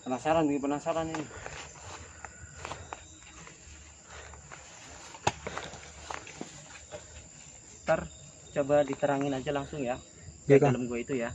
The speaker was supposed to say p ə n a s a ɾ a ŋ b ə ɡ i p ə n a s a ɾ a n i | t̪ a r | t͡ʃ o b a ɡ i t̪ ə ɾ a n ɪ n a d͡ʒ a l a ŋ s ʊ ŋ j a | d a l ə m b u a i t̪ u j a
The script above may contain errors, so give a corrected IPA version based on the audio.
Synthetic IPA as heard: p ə n a s a ɾ a n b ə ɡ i p ə n a s a ɾ a n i | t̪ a r | t͡ʃ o b a d i t̪ ə ɾ a ŋ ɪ n a d͡ʒ a l a ŋ s ʊ ŋ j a | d a l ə m ɡ u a i t̪ u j a